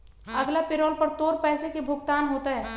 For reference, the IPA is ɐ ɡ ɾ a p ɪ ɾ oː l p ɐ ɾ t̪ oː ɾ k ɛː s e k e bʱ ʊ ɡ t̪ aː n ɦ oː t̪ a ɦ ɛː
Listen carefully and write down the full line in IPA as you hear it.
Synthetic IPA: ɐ ɡ l a p ɪ ɾ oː l p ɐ ɾ t̪ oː ɾ p ɛː s e k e bʱ ʊ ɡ t̪ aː n ɦ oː t̪ a ɦ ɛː